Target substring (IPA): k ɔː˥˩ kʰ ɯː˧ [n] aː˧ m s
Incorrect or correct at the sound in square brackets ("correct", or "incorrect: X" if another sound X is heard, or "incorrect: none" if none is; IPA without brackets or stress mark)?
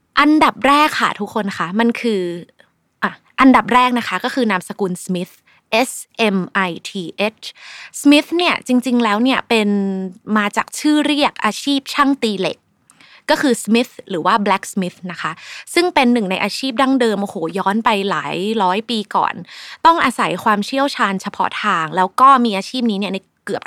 correct